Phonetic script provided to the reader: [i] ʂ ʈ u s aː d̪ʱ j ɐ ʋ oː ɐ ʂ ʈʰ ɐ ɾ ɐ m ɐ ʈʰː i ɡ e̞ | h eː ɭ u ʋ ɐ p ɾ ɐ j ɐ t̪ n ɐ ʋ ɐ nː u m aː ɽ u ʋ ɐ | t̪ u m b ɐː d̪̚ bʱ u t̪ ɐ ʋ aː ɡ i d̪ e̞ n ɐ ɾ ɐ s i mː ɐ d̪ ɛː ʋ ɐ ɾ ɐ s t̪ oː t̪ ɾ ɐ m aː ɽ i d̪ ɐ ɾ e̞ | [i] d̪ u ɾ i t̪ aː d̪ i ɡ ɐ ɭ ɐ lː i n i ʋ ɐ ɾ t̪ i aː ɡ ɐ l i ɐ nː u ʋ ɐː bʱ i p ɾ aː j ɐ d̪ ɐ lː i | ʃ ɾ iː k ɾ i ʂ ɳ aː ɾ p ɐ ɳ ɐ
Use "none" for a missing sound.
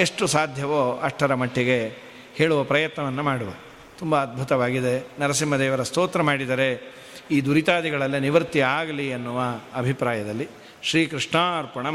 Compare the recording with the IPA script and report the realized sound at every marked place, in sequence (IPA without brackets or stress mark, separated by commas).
e, iː